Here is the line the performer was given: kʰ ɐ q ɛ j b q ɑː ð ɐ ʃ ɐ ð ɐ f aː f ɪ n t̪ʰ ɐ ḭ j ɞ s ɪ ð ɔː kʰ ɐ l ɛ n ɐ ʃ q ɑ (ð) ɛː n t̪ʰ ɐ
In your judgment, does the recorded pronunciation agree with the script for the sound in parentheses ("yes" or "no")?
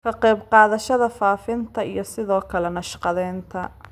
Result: yes